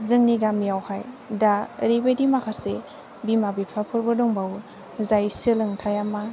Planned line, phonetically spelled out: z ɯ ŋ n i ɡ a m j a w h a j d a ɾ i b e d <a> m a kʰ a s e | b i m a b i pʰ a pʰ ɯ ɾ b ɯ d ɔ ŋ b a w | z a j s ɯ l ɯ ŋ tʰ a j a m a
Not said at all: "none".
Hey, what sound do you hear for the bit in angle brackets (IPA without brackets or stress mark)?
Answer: i